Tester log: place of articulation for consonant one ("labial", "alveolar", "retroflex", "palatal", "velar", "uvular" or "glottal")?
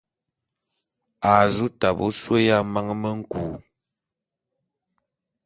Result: alveolar